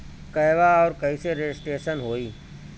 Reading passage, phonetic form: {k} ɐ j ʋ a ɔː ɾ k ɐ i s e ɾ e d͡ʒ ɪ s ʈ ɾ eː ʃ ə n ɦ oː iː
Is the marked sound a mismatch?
no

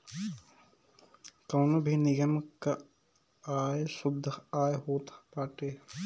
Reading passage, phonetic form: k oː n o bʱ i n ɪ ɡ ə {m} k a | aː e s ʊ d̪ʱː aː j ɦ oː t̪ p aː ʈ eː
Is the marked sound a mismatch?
no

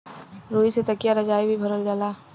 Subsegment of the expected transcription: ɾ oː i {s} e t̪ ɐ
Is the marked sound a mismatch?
no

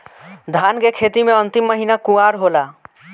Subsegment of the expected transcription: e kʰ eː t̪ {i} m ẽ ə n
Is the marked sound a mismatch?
no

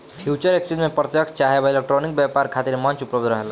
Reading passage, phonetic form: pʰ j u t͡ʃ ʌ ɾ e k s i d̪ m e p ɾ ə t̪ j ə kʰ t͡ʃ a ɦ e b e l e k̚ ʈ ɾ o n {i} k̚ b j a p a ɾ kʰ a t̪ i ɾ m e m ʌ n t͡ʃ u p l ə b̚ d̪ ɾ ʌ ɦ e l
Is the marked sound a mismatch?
no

